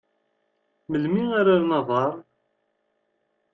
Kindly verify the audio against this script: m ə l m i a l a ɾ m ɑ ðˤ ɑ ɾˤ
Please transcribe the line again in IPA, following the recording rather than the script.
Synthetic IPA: m ə l m i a ɾ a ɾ n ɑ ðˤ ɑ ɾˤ